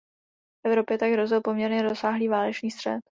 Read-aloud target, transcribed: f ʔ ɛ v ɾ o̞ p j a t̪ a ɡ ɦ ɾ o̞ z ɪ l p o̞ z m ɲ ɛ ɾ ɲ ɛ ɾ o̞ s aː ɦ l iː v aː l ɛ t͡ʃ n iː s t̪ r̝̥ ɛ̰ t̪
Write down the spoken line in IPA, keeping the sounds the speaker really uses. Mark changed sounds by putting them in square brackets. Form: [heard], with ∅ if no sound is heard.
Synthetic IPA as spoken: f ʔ ɛ v ɾ o̞ p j [ɛ] t̪ a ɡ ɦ ɾ o̞ z ɪ l p o̞ [∅] m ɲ ɛ ɾ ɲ ɛ ɾ o̞ s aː ɦ l iː v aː l ɛ t͡ʃ n iː s t̪ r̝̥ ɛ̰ t̪